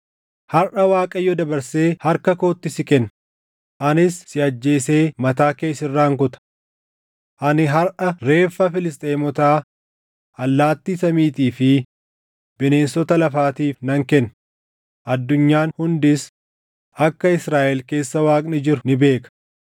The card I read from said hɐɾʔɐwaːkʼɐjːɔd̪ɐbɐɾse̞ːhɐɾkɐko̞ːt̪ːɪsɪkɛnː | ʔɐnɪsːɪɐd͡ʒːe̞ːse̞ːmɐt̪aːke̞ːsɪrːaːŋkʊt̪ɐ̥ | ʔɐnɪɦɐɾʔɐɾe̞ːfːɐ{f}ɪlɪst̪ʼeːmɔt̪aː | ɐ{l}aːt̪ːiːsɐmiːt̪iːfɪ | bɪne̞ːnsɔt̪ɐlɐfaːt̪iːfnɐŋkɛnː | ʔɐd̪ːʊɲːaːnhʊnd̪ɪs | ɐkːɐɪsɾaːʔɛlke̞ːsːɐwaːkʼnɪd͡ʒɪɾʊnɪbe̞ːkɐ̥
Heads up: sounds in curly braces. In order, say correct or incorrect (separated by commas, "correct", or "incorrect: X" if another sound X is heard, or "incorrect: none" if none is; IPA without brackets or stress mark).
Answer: correct, incorrect: lː